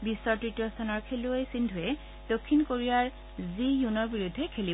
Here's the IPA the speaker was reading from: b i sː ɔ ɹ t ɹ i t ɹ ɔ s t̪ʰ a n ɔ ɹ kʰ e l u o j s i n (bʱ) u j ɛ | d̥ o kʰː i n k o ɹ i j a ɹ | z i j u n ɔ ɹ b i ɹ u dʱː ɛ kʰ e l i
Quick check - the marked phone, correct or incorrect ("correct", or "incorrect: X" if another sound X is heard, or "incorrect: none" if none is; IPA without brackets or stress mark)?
incorrect: dʱ